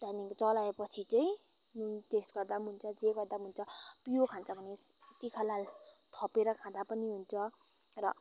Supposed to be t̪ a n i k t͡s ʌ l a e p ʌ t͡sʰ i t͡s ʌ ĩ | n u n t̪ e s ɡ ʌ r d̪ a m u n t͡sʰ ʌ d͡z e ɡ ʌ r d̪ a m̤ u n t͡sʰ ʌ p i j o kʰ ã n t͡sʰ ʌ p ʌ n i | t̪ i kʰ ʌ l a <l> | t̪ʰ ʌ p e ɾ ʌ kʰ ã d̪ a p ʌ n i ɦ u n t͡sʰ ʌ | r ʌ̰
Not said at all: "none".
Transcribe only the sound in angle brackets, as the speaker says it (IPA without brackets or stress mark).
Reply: l